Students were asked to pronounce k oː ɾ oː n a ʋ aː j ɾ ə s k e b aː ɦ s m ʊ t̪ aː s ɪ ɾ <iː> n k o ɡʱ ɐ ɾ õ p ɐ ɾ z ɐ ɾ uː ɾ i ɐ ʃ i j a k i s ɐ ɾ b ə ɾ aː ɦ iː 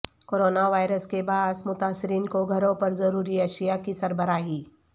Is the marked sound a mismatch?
no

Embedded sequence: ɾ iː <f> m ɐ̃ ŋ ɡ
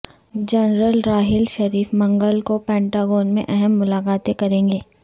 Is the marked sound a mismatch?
no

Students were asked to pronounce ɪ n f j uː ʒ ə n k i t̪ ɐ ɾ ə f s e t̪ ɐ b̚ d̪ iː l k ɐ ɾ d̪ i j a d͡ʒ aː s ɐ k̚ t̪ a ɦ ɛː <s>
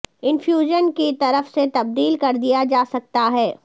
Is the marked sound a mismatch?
yes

